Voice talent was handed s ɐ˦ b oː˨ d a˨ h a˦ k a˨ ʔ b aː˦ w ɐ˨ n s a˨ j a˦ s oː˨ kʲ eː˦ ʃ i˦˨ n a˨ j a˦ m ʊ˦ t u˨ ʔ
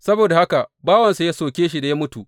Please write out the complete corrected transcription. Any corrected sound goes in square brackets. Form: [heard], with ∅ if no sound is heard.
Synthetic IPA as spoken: s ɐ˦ b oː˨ d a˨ h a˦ k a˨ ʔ b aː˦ w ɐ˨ n s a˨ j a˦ s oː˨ kʲ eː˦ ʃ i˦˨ [d] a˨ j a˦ m ʊ˦ t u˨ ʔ